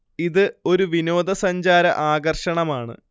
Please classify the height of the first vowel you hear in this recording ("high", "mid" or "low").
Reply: high